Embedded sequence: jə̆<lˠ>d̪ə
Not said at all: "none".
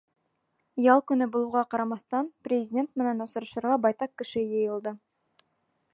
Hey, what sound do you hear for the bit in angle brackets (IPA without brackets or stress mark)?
lˠ